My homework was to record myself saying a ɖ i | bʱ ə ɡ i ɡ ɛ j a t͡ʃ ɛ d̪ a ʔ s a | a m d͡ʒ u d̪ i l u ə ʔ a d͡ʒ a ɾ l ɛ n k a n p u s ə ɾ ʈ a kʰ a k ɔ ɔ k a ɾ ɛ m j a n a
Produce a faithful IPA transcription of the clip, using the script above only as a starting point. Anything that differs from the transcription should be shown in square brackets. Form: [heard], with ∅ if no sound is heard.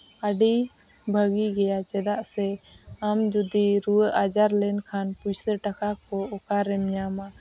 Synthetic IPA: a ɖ i | bʱ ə ɡ i ɡ ɛ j a t͡ʃ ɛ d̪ a ʔ s [ɛ] | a m d͡ʒ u d̪ i [ɾ] u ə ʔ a d͡ʒ a ɾ l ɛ n [kʰ] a n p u s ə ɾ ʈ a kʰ a k ɔ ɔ k a ɾ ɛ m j a [m] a